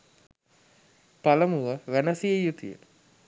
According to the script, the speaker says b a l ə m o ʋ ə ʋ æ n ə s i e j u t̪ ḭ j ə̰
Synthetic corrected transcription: p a l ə m u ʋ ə ʋ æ n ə s i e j u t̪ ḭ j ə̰